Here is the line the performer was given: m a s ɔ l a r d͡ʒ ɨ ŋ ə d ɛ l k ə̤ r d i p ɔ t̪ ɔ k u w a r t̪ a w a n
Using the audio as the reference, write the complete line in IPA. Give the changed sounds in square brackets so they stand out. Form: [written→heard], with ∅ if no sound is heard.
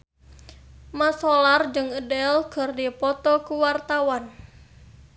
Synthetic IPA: m a s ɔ l a r d͡ʒ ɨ ŋ ə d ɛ l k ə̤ r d i p ɔ t̪ ɔ k u w a r t̪ a w a n

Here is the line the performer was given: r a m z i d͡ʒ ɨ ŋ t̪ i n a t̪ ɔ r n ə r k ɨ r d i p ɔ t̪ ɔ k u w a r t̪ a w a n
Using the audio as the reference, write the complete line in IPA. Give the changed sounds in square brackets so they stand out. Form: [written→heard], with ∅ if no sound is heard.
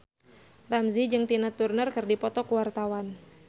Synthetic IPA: r a m z i d͡ʒ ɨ ŋ t̪ i n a t̪ [ɔ→u] r n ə r k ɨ r d i p ɔ t̪ ɔ k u w a r t̪ a w a n

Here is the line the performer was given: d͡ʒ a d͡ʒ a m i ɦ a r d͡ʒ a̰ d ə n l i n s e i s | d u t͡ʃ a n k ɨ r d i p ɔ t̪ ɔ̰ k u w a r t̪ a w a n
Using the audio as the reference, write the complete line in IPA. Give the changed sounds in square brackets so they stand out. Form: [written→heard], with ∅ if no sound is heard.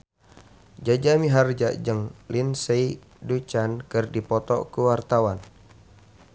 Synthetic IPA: d͡ʒ a d͡ʒ a m i ɦ a r d͡ʒ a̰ [d→d͡ʒ] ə [n→ŋ] l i n s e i [s→∅] | d u t͡ʃ a n k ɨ r d i p ɔ t̪ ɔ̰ k u w a r t̪ a w a n

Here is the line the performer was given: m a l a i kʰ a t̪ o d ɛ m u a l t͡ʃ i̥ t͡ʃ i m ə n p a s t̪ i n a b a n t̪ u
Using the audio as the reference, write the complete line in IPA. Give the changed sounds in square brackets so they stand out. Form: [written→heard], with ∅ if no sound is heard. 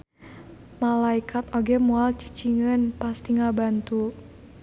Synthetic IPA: m a l a i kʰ a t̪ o [d→ɡ] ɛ m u a l t͡ʃ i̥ t͡ʃ i [m→ŋ] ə n p a s t̪ i [n→ŋ] a b a n t̪ u

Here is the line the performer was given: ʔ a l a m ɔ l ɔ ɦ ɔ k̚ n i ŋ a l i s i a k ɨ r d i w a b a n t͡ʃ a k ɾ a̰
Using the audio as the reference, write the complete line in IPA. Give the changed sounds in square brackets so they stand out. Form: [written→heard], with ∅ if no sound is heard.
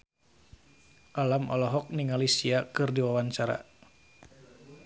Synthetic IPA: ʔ a l a m ɔ l ɔ ɦ ɔ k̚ n i ŋ a l i s i a k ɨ r d i w a [b→w] a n t͡ʃ a [k→∅] ɾ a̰

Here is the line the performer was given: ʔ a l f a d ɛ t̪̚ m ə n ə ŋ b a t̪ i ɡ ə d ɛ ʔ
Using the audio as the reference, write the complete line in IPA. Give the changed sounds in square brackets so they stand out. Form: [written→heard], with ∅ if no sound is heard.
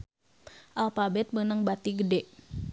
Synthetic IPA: ʔ a l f a [d→b] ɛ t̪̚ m ə n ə ŋ b a t̪ i ɡ ə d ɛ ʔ

